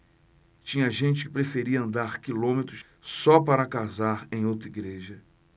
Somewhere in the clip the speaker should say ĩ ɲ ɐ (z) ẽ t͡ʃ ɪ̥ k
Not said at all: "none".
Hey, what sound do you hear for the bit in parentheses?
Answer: ʒ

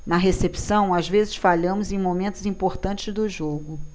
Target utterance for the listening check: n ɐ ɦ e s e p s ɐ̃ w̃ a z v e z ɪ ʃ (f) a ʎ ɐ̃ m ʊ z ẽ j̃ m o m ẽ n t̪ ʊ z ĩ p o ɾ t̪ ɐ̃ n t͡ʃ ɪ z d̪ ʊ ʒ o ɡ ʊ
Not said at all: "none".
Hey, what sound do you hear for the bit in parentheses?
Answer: f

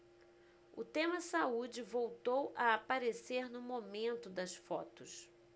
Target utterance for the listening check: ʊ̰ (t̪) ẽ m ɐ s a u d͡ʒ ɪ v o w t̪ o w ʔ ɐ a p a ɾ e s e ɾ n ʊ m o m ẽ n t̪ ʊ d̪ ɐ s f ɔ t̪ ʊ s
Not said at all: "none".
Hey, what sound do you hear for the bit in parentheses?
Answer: t̪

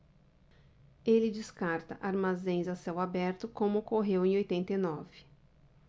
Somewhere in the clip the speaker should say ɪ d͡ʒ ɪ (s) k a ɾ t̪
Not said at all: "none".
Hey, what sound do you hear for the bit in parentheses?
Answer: s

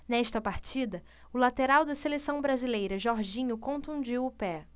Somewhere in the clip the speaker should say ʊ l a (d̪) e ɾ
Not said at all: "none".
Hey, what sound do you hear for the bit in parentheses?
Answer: t̪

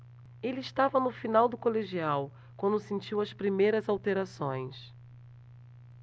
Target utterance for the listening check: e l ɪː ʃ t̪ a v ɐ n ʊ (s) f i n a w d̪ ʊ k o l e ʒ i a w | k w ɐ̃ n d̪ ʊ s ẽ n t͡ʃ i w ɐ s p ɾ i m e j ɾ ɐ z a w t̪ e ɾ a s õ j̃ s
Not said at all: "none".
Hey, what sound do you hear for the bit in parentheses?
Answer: none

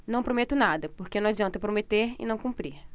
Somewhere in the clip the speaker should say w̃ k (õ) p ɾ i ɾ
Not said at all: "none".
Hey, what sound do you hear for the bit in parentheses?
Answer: ũ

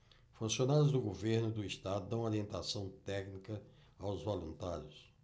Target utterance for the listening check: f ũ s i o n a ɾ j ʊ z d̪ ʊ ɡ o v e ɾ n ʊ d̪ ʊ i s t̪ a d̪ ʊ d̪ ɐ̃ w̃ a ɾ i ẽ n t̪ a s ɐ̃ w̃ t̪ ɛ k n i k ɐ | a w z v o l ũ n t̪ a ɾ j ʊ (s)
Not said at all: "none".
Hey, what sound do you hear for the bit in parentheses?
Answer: s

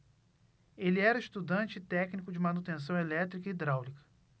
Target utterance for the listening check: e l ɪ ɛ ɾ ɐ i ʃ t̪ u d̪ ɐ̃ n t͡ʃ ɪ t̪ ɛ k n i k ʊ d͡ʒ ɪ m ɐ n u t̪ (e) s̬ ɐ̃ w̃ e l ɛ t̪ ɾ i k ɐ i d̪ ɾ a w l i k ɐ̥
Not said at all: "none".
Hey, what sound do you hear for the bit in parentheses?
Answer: ẽ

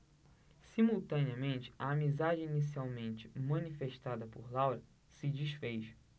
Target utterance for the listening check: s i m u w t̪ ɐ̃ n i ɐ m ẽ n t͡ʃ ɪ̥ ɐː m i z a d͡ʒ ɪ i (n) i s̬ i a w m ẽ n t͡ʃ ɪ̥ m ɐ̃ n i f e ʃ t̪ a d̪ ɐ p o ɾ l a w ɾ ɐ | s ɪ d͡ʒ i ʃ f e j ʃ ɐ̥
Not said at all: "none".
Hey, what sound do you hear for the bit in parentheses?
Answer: n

